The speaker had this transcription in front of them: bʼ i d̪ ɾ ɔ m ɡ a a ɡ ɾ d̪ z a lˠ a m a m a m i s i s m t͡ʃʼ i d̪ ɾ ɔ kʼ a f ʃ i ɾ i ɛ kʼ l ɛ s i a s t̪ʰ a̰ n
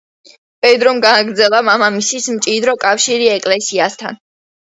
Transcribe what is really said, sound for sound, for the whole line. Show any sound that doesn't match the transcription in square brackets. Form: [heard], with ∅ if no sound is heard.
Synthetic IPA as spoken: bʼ [ɛ] d̪ ɾ ɔ m ɡ a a ɡ ɾ d̪ z [ɛ] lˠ a m a m a m i s i s m t͡ʃʼ i d̪ ɾ ɔ kʼ a f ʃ i ɾ i ɛ kʼ l ɛ s i a s t̪ʰ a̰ n